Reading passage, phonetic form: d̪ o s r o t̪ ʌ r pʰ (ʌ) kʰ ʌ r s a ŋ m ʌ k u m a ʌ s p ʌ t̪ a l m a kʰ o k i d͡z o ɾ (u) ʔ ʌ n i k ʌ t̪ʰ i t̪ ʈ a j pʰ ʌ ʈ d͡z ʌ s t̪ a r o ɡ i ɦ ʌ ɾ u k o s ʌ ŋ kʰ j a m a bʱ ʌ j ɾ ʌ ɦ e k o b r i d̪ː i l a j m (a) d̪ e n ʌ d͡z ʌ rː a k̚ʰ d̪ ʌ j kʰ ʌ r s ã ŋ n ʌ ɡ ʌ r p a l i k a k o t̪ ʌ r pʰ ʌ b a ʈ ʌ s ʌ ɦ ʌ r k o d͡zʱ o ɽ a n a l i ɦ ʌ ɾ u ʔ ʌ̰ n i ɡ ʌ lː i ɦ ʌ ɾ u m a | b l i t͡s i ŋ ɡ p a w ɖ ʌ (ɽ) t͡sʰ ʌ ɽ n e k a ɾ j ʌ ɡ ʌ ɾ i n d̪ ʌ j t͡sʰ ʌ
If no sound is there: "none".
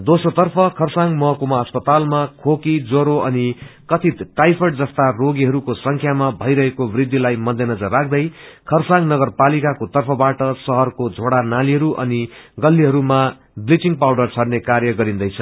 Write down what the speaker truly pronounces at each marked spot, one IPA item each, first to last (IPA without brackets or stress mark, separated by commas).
ʌ, o, ʌ, r